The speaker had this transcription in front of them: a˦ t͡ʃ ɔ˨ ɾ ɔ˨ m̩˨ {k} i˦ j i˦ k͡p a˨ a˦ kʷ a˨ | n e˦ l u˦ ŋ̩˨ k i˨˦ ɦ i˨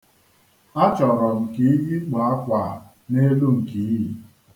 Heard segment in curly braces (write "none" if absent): k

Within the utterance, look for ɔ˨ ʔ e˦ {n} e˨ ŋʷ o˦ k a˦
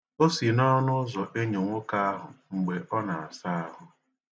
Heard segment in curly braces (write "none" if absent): ɲ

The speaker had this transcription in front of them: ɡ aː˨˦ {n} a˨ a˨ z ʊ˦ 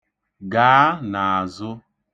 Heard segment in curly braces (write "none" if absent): n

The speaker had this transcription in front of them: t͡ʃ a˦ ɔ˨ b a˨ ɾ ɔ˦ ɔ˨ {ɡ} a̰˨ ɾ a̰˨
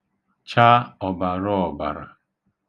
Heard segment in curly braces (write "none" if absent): b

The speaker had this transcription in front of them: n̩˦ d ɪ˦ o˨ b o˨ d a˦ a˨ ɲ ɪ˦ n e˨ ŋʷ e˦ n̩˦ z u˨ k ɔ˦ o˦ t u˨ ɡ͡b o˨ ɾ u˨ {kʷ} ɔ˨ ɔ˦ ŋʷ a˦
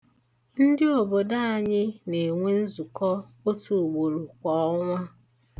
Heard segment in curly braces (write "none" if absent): kʷ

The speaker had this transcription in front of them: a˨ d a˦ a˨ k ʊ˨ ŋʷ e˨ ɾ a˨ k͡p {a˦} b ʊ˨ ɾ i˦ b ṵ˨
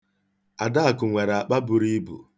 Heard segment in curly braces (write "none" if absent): a˦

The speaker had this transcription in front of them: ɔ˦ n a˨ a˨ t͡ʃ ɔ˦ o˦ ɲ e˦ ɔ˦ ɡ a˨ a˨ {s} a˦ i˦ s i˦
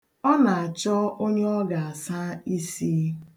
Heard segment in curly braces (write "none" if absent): s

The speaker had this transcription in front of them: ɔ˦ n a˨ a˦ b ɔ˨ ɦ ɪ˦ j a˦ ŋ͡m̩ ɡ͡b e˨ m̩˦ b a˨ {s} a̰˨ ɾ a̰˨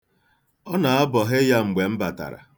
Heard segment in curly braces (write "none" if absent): t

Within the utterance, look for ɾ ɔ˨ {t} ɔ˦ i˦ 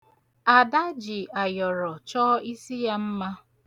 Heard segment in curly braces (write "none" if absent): t͡ʃ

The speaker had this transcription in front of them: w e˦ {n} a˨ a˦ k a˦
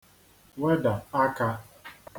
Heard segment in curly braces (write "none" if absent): d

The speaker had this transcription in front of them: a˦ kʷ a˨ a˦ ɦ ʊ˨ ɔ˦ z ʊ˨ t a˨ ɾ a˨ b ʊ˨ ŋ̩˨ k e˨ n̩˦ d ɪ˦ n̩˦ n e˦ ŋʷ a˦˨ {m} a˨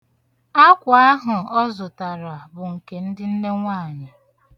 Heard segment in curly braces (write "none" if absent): ɲ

